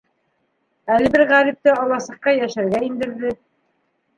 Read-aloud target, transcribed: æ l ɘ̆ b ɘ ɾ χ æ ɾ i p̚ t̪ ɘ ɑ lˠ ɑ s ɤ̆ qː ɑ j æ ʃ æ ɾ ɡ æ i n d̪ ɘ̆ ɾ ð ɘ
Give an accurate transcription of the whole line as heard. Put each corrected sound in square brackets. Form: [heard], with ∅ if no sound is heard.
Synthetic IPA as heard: æ l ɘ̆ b ɘ ɾ [ʁ] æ ɾ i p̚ t̪ ɘ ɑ lˠ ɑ s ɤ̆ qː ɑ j æ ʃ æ ɾ ɡ æ i n d̪ ɘ̆ ɾ ð ɘ

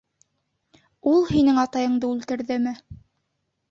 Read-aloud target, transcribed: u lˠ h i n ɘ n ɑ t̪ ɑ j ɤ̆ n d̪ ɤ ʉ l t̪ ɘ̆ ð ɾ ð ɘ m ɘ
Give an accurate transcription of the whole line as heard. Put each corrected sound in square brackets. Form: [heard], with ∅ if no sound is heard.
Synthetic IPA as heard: u lˠ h i n ɘ [ŋ] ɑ t̪ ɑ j ɤ̆ [ɴ] d̪ ɤ ʉ l t̪ ɘ̆ [∅] ɾ ð ɘ m ɘ

